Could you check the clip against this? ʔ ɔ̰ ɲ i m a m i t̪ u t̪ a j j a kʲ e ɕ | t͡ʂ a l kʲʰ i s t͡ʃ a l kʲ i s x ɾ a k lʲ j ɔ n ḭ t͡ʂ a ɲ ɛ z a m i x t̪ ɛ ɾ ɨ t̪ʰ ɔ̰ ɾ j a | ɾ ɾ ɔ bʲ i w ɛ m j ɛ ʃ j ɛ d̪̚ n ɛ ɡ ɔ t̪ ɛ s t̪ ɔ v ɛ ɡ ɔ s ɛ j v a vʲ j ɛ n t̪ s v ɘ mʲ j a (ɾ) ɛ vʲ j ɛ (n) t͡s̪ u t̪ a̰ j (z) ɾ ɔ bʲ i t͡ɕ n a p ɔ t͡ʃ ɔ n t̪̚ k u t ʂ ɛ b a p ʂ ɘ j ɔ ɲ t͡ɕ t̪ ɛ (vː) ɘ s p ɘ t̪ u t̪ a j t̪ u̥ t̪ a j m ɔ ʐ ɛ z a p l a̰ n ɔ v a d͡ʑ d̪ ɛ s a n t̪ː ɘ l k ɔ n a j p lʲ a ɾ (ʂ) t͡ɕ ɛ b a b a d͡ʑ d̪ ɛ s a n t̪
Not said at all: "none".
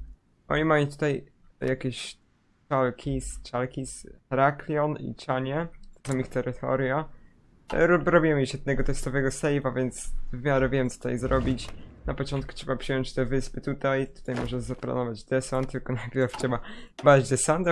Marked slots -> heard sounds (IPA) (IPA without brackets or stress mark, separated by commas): ɾ, m, z, v, f